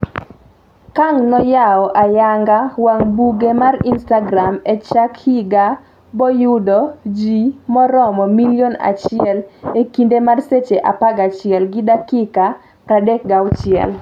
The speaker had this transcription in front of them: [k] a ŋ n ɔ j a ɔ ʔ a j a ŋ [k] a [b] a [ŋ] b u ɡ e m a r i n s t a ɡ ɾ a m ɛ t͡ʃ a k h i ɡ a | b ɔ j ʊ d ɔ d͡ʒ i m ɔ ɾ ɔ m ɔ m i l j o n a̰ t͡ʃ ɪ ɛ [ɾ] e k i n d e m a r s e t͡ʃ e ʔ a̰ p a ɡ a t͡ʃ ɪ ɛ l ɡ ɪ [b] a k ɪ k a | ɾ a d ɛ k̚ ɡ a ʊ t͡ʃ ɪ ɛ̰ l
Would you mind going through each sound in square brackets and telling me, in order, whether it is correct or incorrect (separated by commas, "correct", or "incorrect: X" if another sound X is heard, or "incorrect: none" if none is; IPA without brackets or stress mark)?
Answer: correct, incorrect: ɡ, incorrect: w, correct, incorrect: l, incorrect: d